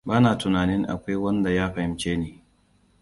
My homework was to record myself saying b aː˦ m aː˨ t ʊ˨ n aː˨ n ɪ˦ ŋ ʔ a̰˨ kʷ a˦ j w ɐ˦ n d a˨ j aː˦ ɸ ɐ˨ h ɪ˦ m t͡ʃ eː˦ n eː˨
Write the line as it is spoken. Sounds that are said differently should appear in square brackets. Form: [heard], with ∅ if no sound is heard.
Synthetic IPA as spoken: b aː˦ [n] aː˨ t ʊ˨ n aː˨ n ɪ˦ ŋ ʔ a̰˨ kʷ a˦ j w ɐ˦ n d a˨ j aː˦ ɸ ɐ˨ h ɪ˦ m t͡ʃ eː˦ n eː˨